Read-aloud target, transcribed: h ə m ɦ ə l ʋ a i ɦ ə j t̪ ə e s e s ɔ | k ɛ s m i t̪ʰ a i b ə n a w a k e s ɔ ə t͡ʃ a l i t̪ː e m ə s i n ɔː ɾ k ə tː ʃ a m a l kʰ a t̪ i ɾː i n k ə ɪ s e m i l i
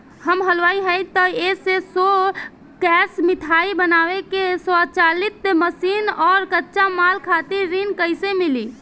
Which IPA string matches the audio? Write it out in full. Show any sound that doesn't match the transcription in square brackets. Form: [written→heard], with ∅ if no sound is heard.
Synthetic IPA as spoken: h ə m ɦ ə l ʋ a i ɦ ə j t̪ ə e s e s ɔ | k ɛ s m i t̪ʰ a i b ə n a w [a→e] k e s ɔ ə t͡ʃ a l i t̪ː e m ə s i n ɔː ɾ k ə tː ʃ a m a l kʰ a t̪ i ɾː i n k ə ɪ s e m i l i